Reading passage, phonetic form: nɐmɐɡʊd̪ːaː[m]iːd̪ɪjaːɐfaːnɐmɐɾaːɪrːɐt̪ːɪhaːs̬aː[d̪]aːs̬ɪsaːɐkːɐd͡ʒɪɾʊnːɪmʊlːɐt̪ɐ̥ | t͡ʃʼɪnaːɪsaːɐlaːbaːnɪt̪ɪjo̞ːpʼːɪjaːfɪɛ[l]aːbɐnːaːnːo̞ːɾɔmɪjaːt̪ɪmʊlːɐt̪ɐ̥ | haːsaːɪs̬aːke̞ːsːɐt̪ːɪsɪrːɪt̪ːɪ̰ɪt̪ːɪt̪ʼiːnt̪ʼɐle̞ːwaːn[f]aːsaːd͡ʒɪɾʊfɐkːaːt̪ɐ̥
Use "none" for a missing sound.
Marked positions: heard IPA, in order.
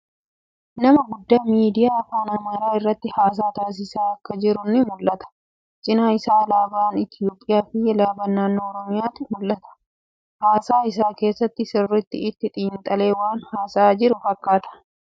m, t̪, l, h

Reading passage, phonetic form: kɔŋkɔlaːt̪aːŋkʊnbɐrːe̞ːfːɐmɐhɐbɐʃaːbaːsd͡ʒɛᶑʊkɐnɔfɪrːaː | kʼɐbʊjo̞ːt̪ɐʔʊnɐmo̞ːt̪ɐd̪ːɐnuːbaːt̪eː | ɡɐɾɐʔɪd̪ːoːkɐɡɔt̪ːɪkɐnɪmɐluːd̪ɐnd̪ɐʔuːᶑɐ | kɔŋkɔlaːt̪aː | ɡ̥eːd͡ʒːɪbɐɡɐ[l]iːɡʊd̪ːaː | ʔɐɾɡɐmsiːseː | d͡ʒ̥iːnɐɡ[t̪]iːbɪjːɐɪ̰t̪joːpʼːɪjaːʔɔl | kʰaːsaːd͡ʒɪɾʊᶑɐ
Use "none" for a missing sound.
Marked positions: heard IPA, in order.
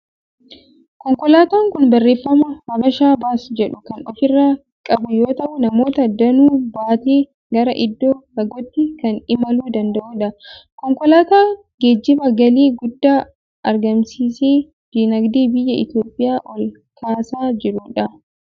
l, d̪

